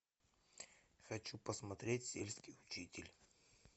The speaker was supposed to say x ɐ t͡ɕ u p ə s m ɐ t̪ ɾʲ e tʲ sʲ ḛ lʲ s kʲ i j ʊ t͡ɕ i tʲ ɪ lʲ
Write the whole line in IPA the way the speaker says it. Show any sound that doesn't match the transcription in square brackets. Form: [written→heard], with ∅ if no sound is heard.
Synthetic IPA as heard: x ɐ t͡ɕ u p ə s m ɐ t̪ ɾʲ e tʲ sʲ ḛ lʲ s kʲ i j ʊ t͡ɕ i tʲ ɪ lʲ